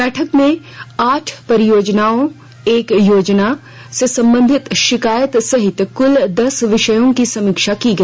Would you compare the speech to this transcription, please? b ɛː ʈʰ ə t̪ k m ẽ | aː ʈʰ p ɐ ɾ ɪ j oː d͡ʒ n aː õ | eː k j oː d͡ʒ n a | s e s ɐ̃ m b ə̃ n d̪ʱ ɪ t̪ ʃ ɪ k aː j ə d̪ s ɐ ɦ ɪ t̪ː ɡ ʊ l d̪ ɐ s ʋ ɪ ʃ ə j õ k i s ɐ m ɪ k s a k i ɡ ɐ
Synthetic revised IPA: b ɛː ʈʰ ə k m ẽ | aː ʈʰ p ɐ ɾ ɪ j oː d͡ʒ n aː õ | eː k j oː d͡ʒ n a | s e s ɐ̃ m b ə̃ n d̪ʱ ɪ t̪ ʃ ɪ k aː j ə t̪ s ɐ ɦ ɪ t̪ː k ʊ l d̪ ɐ s ʋ ɪ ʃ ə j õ k i s ɐ m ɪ k ʃ a k i ɡ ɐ